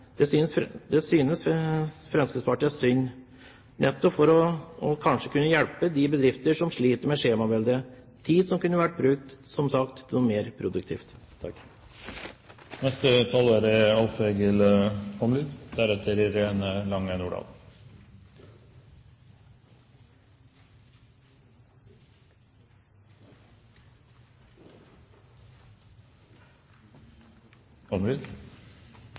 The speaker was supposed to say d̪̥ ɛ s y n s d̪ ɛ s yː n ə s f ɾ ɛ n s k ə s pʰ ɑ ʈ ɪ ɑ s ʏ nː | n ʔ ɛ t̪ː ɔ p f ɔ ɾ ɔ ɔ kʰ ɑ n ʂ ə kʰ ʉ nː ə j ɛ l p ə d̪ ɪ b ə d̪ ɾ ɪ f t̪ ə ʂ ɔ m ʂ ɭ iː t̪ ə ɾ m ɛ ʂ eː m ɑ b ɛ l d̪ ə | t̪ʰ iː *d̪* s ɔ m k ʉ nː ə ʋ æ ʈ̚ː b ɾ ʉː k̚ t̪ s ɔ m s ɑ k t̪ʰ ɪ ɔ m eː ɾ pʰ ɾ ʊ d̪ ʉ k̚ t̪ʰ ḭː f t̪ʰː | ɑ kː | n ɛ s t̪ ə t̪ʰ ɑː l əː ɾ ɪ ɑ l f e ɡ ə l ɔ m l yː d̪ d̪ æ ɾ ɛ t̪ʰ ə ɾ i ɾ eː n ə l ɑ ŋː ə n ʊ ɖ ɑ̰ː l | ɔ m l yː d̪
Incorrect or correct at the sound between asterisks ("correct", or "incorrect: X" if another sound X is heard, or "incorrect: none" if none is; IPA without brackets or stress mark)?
correct